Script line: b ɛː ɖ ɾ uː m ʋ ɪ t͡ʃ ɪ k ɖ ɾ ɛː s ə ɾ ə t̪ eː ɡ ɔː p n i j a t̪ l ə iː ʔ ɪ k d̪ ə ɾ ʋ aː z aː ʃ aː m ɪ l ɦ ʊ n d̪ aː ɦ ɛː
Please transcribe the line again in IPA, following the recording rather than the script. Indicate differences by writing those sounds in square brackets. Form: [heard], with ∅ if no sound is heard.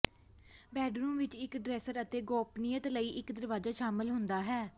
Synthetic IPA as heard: b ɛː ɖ ɾ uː m ʋ ɪ t͡ʃ ɪ k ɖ ɾ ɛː s ə ɾ ə t̪ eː ɡ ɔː p n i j [ə] t̪ l ə iː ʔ ɪ k d̪ ə ɾ ʋ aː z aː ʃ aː m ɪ l ɦ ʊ n d̪ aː ɦ ɛː